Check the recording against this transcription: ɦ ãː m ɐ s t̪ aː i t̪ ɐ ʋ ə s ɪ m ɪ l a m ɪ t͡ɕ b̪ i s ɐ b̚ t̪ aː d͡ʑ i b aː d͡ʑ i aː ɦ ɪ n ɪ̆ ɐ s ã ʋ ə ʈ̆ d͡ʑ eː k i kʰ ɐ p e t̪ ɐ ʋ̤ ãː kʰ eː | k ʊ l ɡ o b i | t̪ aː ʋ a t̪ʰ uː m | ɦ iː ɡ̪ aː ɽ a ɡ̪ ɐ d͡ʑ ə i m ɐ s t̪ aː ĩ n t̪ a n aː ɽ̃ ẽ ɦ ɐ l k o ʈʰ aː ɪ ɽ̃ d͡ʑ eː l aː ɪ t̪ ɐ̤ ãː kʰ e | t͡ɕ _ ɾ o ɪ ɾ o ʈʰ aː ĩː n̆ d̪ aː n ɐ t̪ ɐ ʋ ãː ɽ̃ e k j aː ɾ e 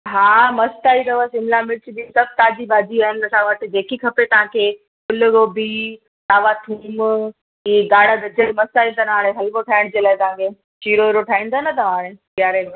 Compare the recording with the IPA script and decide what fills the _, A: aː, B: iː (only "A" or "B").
B